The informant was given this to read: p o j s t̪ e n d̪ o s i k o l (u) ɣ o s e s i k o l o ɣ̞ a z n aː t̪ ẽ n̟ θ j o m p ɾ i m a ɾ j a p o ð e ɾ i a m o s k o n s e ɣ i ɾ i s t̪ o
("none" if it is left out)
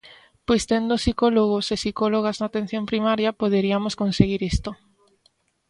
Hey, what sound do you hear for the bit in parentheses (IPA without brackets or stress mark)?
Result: o